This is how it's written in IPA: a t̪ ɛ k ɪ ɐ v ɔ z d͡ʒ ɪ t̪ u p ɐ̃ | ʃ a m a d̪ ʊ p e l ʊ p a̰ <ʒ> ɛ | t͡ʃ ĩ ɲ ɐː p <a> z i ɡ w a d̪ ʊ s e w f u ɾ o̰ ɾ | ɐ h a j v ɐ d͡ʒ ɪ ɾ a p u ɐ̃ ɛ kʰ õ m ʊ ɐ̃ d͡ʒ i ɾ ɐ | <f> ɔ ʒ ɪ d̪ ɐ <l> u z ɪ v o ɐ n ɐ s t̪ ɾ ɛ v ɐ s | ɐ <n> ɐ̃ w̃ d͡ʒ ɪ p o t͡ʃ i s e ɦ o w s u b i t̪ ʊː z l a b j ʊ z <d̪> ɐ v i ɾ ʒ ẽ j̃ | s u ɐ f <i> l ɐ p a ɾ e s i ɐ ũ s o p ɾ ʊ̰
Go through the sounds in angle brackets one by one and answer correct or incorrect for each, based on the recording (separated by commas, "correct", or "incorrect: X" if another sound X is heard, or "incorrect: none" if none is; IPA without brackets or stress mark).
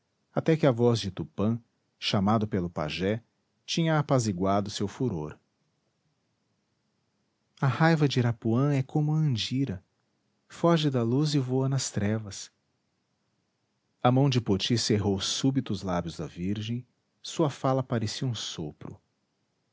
correct, correct, correct, correct, incorrect: m, correct, incorrect: a